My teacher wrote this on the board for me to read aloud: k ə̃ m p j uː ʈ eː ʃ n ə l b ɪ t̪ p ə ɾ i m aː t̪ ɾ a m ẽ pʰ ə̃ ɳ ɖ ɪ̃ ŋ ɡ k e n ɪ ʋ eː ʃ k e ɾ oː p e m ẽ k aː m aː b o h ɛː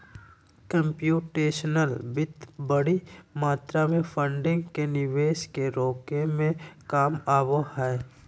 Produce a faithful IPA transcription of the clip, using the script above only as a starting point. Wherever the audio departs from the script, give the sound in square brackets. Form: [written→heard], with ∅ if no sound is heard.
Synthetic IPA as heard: k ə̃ m p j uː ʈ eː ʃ n ə l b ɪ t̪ [p→b] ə [ɾ→ɽ] i m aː t̪ ɾ a m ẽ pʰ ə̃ ɳ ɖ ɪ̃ ŋ ɡ k e n ɪ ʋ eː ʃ k e ɾ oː [p→k] e m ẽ k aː m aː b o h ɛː